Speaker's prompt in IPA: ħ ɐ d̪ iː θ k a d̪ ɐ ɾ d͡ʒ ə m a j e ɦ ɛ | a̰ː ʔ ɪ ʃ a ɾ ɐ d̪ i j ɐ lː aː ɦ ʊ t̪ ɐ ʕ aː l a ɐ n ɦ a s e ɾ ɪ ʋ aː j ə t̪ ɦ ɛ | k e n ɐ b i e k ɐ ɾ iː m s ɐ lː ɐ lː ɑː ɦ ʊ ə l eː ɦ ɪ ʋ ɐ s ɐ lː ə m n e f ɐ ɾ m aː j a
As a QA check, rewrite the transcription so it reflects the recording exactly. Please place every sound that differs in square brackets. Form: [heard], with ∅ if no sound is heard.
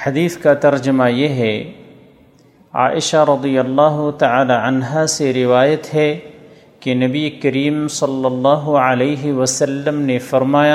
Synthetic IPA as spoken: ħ ɐ d̪ iː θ k a [t̪] ɐ ɾ d͡ʒ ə m a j e ɦ ɛ | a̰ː ʔ ɪ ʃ a ɾ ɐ d̪ i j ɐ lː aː ɦ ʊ t̪ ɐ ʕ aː l a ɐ n ɦ a s e ɾ ɪ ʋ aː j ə t̪ ɦ ɛ | k e n ɐ b i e k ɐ ɾ iː m s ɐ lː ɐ lː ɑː ɦ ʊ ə l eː ɦ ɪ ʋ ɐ s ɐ lː ə m n e f ɐ ɾ m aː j a